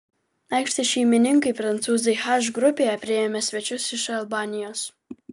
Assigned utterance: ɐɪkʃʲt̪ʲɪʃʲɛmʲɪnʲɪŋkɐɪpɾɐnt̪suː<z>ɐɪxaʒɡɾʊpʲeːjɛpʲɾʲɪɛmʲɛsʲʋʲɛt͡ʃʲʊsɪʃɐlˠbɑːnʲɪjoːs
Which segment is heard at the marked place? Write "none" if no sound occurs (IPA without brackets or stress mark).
z